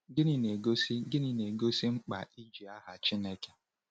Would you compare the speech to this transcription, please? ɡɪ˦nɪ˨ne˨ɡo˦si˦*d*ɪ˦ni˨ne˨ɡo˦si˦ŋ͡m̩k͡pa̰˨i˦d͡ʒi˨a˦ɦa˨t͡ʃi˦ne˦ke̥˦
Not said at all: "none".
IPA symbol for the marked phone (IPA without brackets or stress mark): ɡ